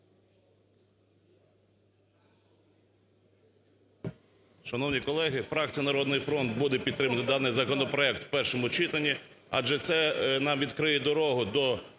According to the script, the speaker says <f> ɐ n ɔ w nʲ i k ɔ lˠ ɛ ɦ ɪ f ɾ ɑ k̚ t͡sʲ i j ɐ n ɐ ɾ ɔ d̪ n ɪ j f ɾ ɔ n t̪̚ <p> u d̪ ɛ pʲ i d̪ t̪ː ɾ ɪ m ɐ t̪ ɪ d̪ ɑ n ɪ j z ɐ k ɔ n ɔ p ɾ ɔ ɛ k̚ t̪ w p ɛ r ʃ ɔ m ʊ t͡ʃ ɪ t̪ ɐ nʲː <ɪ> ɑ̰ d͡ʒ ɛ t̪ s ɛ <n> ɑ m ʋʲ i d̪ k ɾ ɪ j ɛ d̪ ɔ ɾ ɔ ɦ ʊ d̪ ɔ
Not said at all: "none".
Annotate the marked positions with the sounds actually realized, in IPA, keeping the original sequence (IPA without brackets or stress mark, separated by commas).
ʃ, b, i, n